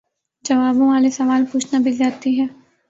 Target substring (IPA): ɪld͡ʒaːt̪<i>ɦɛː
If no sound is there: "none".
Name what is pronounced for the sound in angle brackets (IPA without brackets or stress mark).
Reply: i